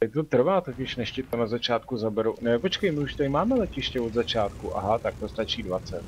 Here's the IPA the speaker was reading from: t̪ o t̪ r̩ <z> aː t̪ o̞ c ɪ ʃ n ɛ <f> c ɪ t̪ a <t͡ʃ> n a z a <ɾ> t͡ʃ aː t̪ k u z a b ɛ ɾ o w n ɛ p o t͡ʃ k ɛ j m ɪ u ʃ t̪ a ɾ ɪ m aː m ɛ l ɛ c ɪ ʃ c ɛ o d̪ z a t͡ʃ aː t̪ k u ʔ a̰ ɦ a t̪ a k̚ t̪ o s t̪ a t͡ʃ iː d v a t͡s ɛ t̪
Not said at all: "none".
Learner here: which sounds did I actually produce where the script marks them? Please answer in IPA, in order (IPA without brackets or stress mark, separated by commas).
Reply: v, ʃ, none, none